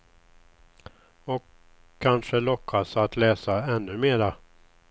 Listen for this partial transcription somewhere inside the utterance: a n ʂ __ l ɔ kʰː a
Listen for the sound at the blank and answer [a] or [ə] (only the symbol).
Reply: ə